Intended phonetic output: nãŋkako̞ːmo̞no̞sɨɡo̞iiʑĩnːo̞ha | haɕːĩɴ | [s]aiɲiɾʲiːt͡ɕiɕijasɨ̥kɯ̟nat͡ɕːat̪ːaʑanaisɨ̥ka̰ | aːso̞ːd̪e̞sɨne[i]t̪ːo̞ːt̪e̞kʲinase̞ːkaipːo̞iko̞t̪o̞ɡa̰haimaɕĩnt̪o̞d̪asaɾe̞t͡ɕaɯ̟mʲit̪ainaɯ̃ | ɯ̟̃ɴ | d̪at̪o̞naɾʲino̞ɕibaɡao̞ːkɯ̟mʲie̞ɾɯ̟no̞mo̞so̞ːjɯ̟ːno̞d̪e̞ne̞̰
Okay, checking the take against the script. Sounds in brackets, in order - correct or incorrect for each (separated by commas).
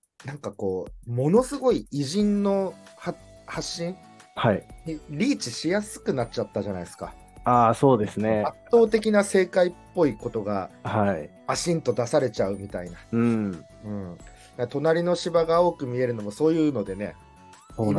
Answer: incorrect, incorrect